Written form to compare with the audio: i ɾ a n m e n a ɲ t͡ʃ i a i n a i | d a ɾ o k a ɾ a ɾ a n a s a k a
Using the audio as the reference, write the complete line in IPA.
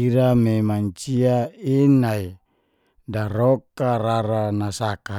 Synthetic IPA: i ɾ a m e m a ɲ t͡ʃ i a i n a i | d a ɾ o k a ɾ a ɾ a n a s a k a

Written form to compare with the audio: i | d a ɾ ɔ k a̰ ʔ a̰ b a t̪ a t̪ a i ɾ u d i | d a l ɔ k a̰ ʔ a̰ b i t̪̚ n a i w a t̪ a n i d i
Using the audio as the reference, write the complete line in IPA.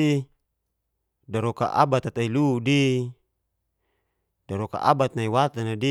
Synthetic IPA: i | d a ɾ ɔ k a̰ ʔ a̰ b a t̪ a t̪ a i l u d i | d a ɾ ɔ k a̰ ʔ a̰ b a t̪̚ n a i w a t̪ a n a d i

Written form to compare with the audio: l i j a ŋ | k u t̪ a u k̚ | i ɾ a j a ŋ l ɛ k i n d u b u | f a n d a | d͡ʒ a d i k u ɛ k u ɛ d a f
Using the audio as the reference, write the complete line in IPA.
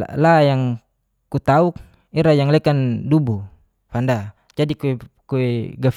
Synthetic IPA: l a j a ŋ | k u t̪ a u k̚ | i ɾ a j a ŋ l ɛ k a n d u b u | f a n d a | d͡ʒ a d i k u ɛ k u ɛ ɡ a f

